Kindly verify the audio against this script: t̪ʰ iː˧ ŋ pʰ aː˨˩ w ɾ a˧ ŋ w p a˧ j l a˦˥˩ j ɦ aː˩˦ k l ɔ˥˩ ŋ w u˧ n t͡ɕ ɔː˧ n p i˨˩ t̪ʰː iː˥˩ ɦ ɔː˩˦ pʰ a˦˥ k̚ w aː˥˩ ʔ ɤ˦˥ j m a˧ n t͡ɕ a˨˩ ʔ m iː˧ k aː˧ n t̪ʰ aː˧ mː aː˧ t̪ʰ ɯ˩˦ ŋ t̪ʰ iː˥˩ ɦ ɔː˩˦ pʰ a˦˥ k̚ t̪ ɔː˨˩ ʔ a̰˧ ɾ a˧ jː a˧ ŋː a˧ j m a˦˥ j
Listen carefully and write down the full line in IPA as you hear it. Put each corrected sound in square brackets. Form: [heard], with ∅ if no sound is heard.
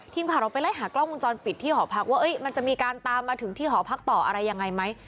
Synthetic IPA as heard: t̪ʰ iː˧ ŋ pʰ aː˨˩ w ɾ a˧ [∅] w p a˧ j l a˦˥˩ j ɦ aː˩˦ k l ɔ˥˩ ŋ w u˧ n t͡ɕ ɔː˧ n p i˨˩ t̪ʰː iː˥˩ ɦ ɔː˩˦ pʰ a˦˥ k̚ w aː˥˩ ʔ ɤ˦˥ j m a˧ n t͡ɕ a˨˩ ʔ m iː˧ k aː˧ n [t̪] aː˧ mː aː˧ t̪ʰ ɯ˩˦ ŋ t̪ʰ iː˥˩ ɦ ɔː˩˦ pʰ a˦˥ k̚ t̪ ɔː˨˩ ʔ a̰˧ ɾ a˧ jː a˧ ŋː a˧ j m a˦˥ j